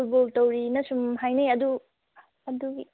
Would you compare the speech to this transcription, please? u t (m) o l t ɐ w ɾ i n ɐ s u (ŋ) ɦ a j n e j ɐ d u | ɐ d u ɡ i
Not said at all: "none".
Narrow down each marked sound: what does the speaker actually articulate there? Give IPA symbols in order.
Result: b, m

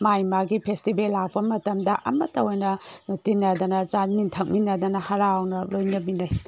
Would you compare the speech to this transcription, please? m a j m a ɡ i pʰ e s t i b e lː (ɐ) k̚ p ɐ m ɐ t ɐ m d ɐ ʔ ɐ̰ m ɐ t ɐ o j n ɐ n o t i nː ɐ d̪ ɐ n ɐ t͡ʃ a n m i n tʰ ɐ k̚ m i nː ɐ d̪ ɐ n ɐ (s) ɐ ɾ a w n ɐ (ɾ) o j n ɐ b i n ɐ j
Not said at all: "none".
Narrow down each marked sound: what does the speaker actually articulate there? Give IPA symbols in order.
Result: a, h, l

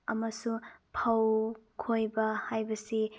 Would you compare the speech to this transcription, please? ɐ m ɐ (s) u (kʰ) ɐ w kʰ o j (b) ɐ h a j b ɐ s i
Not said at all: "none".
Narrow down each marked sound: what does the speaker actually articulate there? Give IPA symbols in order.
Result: s, pʰ, b

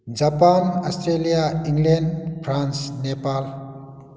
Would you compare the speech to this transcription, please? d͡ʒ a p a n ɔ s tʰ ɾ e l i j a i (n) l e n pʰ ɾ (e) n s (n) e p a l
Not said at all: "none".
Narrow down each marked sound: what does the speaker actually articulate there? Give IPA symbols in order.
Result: ŋ, a, n

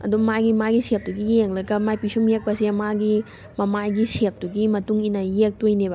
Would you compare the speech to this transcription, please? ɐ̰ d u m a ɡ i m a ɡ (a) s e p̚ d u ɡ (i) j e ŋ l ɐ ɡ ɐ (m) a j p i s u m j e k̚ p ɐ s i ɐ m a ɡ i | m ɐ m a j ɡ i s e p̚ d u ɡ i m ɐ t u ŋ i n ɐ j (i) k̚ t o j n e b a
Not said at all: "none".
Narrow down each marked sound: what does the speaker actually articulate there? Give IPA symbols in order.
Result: i, i, m, e

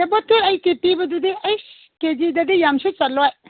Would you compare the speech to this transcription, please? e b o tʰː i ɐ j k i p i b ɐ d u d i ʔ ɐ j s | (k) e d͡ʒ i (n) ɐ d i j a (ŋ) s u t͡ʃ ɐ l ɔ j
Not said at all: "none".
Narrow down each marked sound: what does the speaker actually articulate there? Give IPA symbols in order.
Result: k, d, m

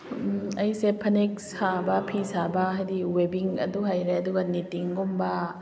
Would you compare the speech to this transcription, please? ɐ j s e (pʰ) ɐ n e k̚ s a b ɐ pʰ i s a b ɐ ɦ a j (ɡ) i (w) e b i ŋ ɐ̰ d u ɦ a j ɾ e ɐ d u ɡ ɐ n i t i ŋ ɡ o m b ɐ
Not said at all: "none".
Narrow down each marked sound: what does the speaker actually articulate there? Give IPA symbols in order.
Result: pʰ, d, w

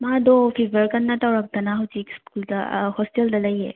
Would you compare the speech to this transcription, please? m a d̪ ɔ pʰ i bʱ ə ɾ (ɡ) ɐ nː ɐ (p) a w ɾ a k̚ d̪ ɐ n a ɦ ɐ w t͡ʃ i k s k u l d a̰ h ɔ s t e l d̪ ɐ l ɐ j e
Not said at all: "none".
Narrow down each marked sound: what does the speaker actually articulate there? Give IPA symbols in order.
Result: k, t

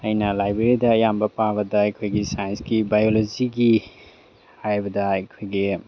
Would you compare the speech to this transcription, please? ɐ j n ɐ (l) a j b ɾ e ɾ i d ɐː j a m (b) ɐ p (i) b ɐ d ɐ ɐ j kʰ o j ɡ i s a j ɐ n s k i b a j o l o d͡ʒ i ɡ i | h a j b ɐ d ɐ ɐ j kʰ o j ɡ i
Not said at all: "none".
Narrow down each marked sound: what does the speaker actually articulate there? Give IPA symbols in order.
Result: l, b, a

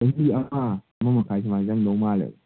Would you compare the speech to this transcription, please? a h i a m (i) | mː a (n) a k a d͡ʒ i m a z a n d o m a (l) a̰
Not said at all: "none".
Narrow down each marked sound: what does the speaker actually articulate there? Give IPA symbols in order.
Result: a, m, l

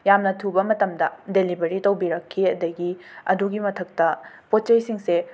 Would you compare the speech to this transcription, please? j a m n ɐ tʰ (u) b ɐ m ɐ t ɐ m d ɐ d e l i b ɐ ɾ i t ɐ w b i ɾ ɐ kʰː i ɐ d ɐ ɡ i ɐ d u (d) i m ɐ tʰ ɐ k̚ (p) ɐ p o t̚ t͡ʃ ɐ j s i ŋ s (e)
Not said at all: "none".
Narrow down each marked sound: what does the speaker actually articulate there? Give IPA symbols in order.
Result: u, ɡ, t, e

